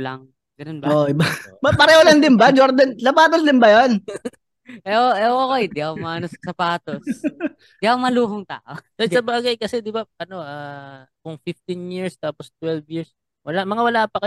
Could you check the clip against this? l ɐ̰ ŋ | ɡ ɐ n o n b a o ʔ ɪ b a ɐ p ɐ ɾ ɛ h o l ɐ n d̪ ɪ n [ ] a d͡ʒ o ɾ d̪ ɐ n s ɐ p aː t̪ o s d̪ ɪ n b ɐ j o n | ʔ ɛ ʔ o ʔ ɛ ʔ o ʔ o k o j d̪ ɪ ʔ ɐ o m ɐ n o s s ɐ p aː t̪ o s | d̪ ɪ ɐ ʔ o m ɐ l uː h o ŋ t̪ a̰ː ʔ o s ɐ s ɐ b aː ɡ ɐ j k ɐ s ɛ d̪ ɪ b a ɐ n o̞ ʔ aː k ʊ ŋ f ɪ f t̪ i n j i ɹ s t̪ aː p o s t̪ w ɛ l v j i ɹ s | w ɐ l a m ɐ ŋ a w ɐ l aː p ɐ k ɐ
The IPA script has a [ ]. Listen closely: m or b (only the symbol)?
b